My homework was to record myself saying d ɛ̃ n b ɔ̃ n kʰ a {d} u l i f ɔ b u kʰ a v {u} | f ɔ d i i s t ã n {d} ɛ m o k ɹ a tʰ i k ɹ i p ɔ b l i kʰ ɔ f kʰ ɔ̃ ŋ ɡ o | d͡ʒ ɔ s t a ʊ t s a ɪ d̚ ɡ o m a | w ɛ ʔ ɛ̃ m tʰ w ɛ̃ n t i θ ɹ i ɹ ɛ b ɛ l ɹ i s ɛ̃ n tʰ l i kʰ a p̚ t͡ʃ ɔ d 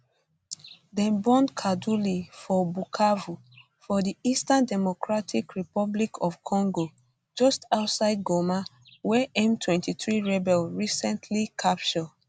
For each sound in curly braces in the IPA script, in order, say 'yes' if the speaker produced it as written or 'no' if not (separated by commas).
yes, yes, yes